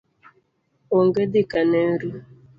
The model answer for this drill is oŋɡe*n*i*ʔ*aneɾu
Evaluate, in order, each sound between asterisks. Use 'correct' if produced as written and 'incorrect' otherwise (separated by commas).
incorrect, incorrect